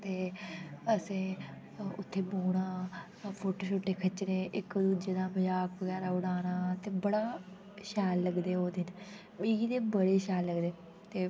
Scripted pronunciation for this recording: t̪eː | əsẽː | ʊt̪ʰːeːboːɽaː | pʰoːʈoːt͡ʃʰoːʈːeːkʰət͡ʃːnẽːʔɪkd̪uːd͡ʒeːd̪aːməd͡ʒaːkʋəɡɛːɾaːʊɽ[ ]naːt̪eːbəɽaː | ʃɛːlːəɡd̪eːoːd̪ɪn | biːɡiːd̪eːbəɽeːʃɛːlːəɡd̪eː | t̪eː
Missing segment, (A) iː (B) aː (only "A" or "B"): B